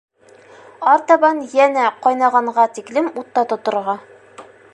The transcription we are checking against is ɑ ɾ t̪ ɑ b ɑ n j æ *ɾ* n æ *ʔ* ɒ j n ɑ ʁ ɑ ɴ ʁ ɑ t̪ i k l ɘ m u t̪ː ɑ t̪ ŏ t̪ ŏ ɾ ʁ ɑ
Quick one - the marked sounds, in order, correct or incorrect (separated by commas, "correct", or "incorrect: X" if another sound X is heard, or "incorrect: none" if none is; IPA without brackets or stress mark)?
incorrect: none, incorrect: q